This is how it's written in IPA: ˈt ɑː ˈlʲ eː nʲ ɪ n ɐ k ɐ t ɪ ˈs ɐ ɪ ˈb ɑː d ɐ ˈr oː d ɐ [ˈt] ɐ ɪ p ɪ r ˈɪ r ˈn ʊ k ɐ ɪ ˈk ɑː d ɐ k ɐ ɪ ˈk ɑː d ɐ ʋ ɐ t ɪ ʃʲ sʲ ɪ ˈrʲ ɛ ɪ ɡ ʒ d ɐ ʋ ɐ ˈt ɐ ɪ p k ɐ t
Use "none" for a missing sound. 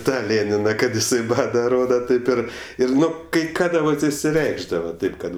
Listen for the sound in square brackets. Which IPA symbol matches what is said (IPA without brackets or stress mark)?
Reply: t